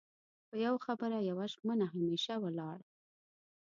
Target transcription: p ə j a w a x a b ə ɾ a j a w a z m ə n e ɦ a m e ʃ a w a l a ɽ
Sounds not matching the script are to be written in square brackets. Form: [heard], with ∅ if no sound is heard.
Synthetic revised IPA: p ə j a w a x a b ə ɾ a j a w a [ʒ] m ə n [a] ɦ a m e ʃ a w [ə] l [ɑ] ɽ